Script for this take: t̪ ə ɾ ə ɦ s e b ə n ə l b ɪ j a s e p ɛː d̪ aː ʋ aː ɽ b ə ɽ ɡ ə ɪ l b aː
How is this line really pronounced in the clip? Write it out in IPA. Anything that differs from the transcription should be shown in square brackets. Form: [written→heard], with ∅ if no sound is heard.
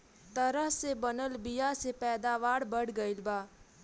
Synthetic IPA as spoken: t̪ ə ɾ ə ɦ s e b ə n ə l b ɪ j a s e p ɛː d̪ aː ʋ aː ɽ b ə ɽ ɡ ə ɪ l b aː